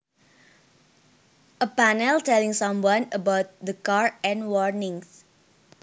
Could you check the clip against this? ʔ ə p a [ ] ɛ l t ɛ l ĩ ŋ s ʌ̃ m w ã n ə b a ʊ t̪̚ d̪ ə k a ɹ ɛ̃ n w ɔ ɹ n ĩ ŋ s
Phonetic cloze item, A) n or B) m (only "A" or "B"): A